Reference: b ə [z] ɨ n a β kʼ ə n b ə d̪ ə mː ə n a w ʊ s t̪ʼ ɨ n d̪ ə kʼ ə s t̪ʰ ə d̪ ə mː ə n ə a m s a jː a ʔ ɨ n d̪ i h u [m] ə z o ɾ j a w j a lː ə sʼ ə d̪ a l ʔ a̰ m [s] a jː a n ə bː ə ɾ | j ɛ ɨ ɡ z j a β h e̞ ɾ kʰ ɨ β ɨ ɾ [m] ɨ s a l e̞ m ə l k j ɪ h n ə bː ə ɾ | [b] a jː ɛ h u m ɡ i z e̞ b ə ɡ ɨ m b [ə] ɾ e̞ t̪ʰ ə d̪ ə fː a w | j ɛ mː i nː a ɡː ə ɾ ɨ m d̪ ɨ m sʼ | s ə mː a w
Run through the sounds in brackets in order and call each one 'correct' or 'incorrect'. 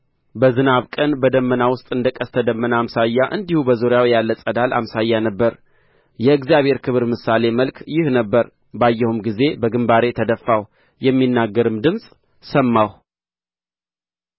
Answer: correct, incorrect: b, correct, correct, correct, incorrect: a

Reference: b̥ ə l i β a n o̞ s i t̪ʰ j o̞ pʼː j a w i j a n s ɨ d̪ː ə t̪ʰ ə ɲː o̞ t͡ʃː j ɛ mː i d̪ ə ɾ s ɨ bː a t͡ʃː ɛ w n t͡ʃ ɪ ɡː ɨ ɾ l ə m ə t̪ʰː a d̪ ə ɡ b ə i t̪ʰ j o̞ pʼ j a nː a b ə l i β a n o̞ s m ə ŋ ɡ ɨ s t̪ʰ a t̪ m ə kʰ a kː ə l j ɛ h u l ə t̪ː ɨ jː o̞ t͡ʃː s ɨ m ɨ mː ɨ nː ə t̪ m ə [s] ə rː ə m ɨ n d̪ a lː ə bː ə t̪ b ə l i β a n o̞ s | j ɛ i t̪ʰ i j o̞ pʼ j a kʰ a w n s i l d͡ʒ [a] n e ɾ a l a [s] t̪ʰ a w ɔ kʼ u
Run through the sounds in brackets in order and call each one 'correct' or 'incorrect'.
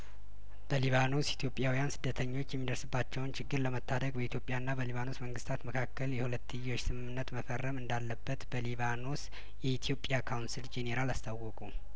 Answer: incorrect: f, incorrect: e, correct

